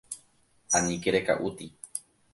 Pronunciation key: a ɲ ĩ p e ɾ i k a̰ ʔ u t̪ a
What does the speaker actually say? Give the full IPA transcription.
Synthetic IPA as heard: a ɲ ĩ k e ɾ e k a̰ ʔ u t̪ i